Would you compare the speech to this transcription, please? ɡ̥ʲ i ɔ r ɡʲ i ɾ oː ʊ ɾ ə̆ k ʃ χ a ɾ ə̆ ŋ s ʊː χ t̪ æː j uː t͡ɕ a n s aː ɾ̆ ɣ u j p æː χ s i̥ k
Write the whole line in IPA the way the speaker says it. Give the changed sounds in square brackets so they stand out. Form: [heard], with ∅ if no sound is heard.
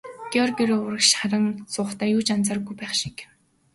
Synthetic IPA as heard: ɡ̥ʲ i ɔ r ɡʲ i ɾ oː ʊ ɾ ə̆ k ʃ χ a ɾ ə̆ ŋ s ʊː χ t̪ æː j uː t͡ɕ a n [t͡s] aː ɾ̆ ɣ u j p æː χ [ʃ] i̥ k